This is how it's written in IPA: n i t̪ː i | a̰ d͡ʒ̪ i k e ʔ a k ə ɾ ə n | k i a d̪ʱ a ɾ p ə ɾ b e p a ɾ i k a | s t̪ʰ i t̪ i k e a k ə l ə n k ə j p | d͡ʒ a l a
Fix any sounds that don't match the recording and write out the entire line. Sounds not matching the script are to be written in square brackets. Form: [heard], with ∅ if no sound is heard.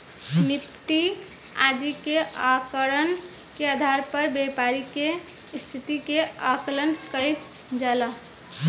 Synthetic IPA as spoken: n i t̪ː i | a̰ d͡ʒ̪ i k e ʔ a k ə ɾ ə n | k [e] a d̪ʱ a ɾ p ə ɾ b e p a ɾ i k [e] | s t̪ʰ i t̪ i k e a k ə l ə n k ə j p | d͡ʒ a l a